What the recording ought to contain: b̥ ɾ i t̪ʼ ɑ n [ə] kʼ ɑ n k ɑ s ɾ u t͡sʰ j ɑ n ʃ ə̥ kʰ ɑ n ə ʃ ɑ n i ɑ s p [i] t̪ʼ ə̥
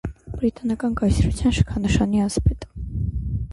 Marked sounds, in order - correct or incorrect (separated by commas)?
incorrect, incorrect